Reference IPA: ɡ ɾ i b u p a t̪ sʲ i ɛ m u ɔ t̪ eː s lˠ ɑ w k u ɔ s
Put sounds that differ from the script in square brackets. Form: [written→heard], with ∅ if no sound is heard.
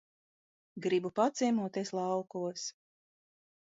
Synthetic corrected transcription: ɡ ɾ i b u p a t̪ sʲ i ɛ m u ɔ t̪ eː s lˠ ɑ w k u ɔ s